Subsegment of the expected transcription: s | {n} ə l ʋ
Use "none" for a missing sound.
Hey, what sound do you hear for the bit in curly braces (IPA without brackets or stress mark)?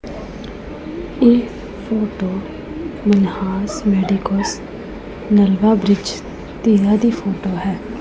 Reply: n